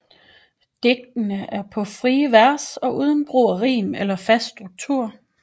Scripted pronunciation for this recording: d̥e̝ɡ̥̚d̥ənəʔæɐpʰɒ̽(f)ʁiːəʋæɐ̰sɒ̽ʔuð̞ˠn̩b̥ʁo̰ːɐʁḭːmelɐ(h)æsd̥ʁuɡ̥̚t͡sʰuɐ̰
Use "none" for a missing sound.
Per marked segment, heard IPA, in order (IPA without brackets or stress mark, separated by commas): f, f